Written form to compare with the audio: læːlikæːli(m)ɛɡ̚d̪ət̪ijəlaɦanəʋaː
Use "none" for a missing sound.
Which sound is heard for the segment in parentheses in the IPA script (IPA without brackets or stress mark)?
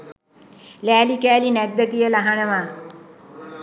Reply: n